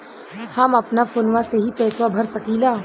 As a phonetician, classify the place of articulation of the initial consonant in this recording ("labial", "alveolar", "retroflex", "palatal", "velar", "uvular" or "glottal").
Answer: glottal